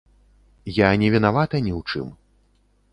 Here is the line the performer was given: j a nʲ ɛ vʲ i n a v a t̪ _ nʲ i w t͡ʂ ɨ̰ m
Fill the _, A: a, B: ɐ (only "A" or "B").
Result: B